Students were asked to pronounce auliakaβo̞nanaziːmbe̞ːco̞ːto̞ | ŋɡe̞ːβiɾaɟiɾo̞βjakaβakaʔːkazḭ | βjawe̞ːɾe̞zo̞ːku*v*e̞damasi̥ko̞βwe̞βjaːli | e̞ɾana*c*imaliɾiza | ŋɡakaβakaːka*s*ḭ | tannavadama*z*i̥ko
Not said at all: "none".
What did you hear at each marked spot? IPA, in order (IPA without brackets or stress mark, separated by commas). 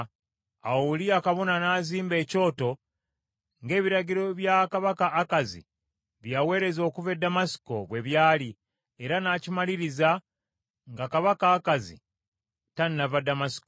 v, c, z, s